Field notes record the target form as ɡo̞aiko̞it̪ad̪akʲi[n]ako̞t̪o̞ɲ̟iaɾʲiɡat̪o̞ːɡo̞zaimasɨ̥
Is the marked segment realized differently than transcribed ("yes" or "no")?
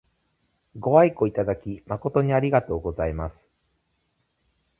yes